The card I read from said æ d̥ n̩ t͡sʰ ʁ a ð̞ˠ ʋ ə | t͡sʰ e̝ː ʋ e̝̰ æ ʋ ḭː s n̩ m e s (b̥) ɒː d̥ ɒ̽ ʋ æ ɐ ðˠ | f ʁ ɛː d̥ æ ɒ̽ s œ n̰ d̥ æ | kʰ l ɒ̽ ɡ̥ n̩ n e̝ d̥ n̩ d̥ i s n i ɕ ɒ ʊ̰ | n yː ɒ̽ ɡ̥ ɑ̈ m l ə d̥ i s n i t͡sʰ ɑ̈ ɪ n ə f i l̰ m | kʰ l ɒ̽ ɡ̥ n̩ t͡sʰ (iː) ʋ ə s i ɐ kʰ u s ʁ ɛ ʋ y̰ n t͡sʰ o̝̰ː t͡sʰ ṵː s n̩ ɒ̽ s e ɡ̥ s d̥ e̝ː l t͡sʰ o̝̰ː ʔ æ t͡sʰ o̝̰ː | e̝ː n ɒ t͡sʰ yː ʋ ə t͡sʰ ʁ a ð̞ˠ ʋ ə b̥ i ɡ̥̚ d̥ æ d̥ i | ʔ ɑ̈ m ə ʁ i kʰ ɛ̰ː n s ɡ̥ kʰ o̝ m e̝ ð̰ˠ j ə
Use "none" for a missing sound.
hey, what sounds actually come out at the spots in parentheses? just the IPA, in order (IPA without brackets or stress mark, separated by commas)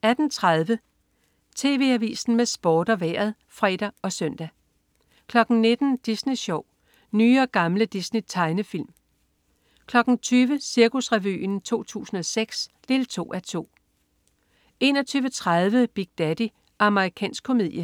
b̥, yː